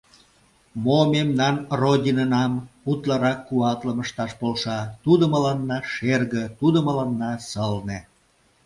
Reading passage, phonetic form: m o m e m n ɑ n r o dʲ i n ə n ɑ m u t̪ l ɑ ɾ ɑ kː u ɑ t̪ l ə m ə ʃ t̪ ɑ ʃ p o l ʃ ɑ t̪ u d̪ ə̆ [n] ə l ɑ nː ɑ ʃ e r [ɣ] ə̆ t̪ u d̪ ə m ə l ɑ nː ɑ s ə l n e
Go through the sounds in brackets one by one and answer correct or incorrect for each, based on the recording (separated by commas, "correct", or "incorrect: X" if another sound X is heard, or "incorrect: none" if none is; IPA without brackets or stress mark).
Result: incorrect: m, correct